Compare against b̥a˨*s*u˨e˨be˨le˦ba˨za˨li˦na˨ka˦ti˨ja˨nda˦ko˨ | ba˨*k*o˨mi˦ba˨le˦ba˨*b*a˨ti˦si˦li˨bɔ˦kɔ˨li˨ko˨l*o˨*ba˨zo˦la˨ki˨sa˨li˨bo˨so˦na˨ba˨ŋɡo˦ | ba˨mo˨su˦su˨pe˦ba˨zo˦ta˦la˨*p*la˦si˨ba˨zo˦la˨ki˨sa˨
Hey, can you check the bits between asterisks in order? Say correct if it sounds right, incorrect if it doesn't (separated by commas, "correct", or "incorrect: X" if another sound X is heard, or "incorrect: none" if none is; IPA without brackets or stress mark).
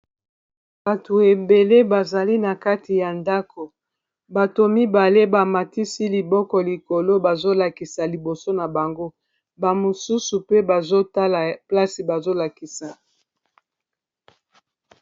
incorrect: t, incorrect: t, incorrect: m, incorrect: o˦, correct